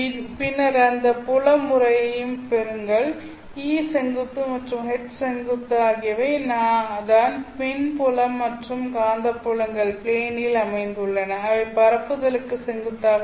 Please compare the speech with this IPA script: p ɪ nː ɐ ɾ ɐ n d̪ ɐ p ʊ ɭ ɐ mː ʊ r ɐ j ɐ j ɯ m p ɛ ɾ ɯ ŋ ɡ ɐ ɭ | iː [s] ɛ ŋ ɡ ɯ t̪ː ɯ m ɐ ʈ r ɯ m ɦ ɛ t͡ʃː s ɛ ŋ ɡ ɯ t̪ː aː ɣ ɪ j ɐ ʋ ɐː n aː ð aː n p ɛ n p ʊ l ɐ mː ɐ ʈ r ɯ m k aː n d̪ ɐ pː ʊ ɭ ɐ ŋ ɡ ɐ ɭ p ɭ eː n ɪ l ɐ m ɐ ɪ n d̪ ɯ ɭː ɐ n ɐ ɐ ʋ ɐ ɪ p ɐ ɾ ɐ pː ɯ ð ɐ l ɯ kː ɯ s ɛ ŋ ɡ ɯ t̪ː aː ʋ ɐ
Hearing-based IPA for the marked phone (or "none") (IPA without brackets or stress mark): s